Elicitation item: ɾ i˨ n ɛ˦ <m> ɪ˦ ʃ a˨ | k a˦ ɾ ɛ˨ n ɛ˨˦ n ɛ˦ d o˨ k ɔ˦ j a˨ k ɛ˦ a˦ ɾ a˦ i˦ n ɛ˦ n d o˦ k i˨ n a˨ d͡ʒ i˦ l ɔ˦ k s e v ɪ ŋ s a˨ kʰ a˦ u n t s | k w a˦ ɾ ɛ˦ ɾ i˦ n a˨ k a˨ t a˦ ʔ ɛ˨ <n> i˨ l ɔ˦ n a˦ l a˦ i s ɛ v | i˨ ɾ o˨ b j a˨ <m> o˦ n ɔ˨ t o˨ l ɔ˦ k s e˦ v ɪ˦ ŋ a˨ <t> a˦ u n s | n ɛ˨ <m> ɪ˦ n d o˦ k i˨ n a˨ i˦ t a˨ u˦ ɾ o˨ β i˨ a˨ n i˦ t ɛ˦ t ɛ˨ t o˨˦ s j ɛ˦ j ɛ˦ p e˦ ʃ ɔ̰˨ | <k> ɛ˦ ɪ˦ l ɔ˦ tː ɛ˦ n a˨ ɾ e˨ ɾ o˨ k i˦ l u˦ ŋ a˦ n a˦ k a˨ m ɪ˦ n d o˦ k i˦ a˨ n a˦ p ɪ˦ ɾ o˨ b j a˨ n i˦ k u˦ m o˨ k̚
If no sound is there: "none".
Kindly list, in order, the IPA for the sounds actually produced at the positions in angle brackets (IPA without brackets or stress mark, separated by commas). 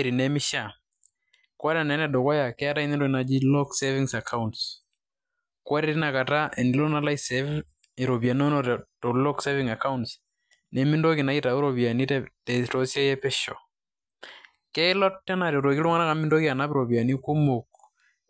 m, n, n, k, m, k